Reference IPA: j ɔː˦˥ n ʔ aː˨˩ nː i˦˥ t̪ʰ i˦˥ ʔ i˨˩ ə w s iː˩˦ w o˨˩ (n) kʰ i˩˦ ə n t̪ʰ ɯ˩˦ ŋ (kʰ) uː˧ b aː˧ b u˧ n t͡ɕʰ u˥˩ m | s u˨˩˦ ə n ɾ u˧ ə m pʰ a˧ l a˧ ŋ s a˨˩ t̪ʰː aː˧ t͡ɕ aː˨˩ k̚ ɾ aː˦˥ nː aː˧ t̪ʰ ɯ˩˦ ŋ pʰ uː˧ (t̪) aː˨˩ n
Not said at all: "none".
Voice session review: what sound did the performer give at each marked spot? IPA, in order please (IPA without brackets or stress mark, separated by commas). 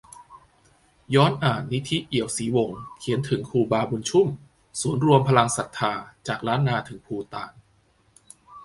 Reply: ŋ, kʰ, t̪